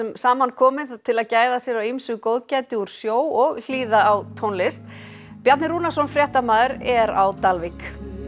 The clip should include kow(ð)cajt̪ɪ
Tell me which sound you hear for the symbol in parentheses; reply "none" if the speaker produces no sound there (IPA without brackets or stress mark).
ð